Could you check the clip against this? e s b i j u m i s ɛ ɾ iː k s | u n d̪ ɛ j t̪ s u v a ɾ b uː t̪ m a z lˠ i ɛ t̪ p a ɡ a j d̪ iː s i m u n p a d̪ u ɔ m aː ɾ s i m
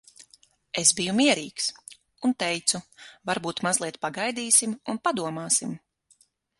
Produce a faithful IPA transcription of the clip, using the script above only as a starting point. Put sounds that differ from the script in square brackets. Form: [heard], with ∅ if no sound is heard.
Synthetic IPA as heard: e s b i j u m i [∅] ɛ ɾ iː k s | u n [t̪] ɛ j t̪ s u v a ɾ b uː t̪ m a z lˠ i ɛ t̪ p a ɡ a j d̪ iː s i m u n p a d̪ u ɔ m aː [∅] s i m